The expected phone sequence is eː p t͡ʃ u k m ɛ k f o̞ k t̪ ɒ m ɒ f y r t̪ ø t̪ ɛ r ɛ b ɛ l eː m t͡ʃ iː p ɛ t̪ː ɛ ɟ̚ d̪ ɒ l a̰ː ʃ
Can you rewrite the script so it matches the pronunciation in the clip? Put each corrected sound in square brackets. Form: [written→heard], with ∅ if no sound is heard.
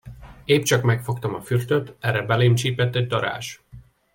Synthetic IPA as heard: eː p t͡ʃ [u→ɒ] k m ɛ k f o̞ k t̪ ɒ m ɒ f y r t̪ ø t̪ ɛ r ɛ b ɛ l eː m t͡ʃ iː p ɛ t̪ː ɛ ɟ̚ d̪ ɒ [l→ɾ] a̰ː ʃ

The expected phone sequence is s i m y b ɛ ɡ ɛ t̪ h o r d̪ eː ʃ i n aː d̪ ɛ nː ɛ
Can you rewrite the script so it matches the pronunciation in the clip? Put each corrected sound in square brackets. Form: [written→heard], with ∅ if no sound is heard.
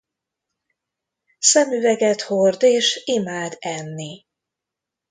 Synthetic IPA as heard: s [i→ɛ] m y [b→v] ɛ ɡ ɛ t̪ h o r d̪ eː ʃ i [n→m] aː d̪ ɛ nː [ɛ→i]

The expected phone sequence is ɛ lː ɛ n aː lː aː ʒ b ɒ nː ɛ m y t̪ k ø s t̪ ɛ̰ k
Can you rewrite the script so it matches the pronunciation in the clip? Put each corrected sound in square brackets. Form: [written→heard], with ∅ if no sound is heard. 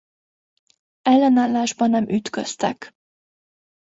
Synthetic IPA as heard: ɛ lː ɛ n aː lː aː ʒ b ɒ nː ɛ m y t̪ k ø s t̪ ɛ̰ k

